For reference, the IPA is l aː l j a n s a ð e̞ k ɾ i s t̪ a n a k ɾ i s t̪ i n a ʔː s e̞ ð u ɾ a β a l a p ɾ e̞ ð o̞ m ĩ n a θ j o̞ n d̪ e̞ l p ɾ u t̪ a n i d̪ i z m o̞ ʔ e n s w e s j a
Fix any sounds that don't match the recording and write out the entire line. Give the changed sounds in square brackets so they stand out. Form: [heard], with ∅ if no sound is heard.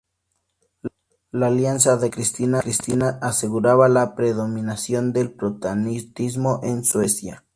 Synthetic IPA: l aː l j a n s a ð e̞ k ɾ i s t̪ [i] n a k ɾ i s t̪ i n a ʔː s e̞ [ɣ] u ɾ a β a l a p ɾ e̞ ð o̞ m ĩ n a [s] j o̞ n d̪ e̞ l p ɾ [o] t̪ a n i [t̪] i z m o̞ ʔ e n s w e s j a